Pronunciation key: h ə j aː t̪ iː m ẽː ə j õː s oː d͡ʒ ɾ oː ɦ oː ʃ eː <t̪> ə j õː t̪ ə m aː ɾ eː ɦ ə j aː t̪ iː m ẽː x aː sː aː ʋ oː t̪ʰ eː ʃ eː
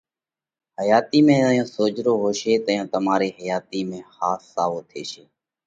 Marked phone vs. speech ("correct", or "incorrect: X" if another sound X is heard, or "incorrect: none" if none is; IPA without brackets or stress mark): correct